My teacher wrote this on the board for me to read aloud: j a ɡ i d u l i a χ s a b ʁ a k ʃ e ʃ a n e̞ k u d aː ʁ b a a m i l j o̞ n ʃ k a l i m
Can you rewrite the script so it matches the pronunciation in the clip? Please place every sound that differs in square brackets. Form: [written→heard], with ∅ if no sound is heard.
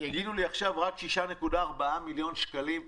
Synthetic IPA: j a ɡ i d u l i a χ [s→ʃ] a [b→v] ʁ a k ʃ [e→i] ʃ a n e̞ k u d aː ʁ b a a m i l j o̞ n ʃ k a l i m